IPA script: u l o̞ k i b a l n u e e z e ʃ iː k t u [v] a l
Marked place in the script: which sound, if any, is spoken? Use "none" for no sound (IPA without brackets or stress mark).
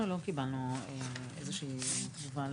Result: v